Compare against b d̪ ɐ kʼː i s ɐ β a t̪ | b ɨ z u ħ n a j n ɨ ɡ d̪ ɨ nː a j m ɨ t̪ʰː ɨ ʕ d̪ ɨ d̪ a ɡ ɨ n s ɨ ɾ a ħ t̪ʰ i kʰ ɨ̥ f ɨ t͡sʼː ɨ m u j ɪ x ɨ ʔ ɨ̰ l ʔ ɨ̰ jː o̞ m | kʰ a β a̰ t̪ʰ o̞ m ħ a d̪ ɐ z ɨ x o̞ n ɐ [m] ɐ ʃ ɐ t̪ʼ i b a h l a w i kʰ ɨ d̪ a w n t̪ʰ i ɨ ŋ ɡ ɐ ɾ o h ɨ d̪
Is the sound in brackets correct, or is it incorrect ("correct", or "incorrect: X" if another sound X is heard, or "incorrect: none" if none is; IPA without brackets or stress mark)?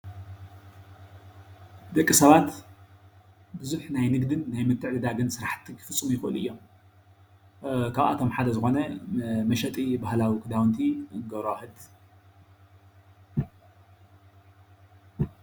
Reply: correct